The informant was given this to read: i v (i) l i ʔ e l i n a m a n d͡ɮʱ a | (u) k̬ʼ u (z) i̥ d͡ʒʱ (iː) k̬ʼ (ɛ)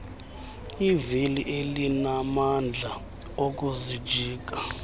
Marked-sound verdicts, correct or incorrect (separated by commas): correct, incorrect, correct, correct, incorrect